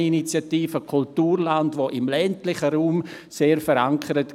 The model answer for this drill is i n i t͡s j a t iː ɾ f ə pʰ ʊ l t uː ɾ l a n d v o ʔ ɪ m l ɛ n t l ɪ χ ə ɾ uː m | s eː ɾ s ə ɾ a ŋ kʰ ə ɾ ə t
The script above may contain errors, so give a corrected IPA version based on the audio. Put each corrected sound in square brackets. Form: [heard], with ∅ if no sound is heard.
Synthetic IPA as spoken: i n i t͡s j a t iː [∅] f ə [kʰ] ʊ l t uː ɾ l a n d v o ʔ ɪ m l ɛ n t l ɪ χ ə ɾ uː m | s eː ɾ [f] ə ɾ a ŋ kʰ ə ɾ ə t